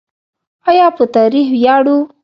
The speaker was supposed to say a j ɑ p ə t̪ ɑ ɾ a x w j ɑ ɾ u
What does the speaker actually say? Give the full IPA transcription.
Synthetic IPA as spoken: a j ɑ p ə t̪ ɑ ɾ i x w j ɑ ɽ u